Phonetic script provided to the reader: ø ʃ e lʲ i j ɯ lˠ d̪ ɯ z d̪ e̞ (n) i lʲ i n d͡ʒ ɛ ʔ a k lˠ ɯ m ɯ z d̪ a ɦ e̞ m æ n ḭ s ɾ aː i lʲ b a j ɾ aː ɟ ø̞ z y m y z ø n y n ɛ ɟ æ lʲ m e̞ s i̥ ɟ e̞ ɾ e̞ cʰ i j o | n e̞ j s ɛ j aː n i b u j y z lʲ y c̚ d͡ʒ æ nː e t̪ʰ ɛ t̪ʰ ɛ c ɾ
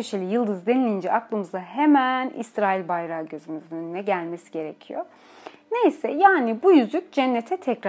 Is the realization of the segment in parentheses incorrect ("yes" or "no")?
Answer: no